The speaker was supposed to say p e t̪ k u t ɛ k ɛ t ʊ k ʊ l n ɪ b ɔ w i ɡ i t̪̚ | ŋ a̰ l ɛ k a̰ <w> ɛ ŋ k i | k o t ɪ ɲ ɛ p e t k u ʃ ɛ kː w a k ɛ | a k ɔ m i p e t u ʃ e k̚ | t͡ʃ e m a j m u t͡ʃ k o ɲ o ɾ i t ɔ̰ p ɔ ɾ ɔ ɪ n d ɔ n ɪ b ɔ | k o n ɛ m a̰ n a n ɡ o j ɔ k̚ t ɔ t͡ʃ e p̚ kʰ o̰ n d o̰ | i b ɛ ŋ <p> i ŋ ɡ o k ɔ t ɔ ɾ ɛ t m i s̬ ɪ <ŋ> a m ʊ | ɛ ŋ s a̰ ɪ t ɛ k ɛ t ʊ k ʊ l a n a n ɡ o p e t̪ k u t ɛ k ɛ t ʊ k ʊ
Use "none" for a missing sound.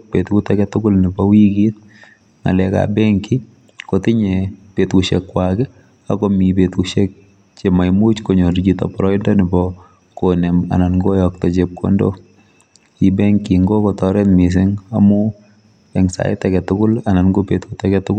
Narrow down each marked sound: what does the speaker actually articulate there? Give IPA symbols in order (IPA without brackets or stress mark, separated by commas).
b, k, ŋ